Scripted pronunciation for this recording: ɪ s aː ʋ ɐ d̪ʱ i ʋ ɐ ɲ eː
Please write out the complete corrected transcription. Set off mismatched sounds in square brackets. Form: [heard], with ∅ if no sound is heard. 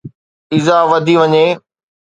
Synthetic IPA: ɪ [z] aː ʋ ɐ d̪ʱ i ʋ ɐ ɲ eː